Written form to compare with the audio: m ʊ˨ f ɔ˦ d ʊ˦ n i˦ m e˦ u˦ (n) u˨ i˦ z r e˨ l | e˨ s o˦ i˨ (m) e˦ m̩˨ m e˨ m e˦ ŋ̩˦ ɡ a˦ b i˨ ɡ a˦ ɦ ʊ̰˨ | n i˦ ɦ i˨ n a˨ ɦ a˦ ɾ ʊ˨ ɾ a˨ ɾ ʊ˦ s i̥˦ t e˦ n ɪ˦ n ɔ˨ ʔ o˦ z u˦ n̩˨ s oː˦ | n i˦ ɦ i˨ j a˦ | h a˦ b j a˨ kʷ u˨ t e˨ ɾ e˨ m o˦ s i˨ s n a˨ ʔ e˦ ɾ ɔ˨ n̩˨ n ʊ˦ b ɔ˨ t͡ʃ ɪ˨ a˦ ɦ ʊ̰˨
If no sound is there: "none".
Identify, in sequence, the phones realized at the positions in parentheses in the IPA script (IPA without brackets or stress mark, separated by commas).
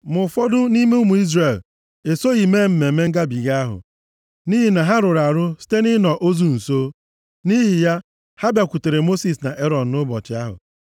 m, m